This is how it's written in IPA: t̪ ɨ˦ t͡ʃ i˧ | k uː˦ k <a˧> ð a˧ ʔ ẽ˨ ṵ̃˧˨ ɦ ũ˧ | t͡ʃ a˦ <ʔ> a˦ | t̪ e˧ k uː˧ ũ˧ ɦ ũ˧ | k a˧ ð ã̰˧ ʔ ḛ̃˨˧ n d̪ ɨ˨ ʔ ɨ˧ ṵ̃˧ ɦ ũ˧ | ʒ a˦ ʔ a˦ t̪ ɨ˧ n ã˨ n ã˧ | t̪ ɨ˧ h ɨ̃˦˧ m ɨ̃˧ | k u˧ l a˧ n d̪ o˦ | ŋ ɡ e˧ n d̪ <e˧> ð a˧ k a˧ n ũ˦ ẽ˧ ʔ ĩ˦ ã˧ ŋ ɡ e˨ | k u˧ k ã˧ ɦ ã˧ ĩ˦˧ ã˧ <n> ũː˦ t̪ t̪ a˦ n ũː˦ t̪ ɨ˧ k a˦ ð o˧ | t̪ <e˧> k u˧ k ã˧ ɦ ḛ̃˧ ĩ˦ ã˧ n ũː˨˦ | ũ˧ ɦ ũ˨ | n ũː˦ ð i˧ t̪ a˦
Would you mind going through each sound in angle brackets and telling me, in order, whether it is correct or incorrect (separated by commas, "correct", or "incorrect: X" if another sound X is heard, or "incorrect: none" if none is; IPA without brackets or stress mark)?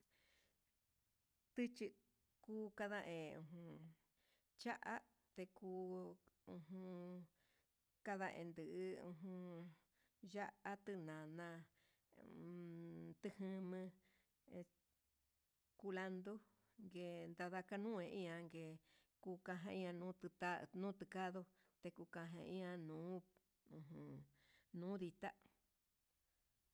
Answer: correct, correct, incorrect: a˧, correct, correct